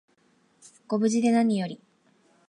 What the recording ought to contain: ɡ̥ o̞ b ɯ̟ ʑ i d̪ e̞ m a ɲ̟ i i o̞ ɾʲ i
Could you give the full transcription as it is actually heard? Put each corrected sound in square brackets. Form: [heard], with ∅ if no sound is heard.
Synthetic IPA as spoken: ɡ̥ o̞ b ɯ̟ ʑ i d̪ e̞ [n] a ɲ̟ i [j] o̞ ɾʲ i